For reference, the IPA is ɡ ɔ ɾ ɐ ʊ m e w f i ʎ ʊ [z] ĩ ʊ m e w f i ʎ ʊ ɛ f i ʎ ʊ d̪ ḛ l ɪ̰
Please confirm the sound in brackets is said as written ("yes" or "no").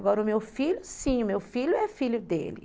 no